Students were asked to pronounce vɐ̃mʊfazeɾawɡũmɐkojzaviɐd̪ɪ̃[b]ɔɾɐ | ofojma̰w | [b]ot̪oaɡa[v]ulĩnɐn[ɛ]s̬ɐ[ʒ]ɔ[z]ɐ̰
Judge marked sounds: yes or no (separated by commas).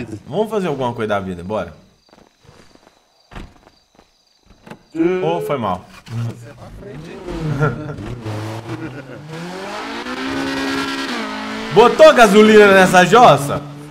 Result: yes, yes, no, yes, yes, no